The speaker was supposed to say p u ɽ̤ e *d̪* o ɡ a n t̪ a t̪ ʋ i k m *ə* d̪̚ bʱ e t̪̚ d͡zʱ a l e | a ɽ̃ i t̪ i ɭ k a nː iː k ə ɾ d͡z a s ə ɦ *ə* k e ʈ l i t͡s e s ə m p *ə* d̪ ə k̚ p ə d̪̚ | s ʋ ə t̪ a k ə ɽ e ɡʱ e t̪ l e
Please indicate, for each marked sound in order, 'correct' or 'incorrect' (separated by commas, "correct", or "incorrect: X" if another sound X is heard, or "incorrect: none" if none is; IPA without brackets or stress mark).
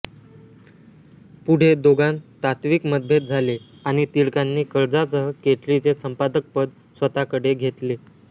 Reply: correct, correct, correct, incorrect: a